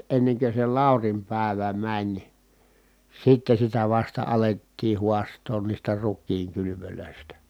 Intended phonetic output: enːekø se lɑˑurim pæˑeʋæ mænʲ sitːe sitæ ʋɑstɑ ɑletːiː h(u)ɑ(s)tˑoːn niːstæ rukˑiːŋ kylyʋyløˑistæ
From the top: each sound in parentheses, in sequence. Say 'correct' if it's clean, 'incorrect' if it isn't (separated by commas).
correct, correct